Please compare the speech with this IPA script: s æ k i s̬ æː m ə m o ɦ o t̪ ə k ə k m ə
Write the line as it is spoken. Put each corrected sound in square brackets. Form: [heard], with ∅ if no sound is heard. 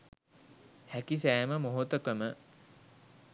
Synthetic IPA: [h] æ k i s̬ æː m ə m o ɦ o t̪ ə k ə [∅] m ə